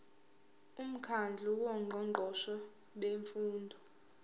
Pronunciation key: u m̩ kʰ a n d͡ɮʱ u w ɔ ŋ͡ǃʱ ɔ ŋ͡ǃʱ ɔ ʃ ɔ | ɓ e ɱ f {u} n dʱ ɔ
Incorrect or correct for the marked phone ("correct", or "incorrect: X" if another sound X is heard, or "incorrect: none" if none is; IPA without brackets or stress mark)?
incorrect: uː